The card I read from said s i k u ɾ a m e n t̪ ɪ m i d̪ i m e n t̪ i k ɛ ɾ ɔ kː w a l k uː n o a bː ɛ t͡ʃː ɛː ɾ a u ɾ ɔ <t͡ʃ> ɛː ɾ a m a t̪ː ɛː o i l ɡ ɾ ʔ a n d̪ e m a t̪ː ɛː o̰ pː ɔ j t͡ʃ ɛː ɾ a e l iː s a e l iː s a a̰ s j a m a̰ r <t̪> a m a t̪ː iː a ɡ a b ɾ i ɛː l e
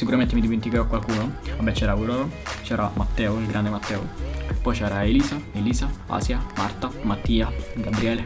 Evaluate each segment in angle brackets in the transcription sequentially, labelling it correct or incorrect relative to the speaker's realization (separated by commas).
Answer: correct, correct